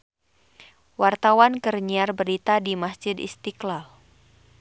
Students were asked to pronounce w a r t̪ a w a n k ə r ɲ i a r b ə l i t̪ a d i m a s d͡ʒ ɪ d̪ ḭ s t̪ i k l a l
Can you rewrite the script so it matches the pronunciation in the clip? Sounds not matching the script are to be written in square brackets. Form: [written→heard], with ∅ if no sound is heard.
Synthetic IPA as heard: w a r t̪ a w a n k ə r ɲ i a r b ə [l→ɾ] i t̪ a d i m a s d͡ʒ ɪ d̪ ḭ s t̪ i k l a l